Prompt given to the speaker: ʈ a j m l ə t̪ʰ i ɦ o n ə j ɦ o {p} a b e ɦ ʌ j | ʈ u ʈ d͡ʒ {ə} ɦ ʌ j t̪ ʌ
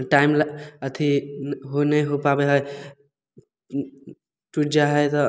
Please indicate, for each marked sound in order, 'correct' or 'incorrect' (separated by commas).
correct, incorrect